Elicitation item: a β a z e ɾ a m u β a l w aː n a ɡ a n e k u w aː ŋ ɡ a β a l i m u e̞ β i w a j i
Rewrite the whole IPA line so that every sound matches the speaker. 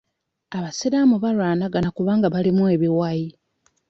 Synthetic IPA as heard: a β a s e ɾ a m u β a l w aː n a ɡ a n a k u β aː ŋ ɡ a β a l i m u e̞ β i w a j i